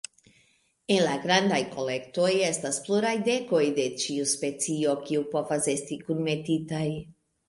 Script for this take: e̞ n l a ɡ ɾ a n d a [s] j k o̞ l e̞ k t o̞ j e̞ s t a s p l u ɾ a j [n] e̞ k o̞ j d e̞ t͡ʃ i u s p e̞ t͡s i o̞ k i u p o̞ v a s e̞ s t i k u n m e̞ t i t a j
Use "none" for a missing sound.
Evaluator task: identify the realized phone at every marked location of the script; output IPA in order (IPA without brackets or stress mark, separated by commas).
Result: none, d